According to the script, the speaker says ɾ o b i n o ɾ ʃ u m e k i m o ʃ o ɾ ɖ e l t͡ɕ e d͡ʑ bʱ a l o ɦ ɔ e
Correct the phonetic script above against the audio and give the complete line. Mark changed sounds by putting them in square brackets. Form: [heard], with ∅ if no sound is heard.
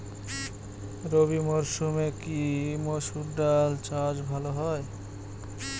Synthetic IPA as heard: ɾ o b i [m] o ɾ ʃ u m e k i m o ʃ [u] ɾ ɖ [a] l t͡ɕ [a] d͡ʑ bʱ a l o ɦ ɔ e